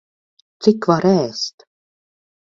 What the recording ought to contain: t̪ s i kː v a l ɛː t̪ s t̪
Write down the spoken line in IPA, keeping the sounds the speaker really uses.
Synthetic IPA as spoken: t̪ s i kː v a ɾ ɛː s t̪